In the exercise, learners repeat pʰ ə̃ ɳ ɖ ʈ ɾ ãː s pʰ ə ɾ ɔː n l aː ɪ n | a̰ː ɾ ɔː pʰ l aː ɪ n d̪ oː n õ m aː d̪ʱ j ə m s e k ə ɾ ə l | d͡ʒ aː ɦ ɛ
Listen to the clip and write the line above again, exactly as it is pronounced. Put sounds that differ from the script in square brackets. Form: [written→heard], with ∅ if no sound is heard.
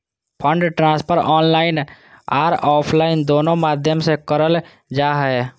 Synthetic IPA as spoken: pʰ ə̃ ɳ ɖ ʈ ɾ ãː s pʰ ə ɾ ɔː n l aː ɪ n | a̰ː ɾ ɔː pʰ l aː ɪ n d̪ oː n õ m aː d̪ʱ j ə m s e k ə ɾ ə l | d͡ʒ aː ɦ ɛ